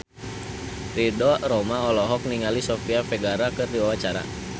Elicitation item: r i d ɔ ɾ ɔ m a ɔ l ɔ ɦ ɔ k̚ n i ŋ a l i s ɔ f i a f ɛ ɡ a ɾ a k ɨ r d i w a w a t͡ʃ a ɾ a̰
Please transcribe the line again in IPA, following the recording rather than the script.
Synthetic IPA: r i d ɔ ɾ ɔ m a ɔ l ɔ ɦ ɔ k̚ n i ŋ a l i s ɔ f i a f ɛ ɡ a ɾ a k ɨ r d i w a w a t͡ʃ a ɾ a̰